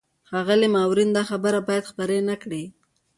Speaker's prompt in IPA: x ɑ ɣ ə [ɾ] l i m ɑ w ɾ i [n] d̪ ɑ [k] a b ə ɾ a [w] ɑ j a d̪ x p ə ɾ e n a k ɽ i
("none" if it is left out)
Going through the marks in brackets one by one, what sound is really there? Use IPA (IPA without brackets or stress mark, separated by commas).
none, n, x, b